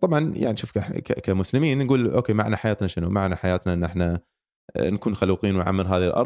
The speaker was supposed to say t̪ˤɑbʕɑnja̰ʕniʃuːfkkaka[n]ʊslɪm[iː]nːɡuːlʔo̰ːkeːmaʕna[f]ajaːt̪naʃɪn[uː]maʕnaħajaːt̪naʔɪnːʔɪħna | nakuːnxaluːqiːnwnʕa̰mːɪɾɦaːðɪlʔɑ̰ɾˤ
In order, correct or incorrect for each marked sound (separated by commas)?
incorrect, correct, incorrect, incorrect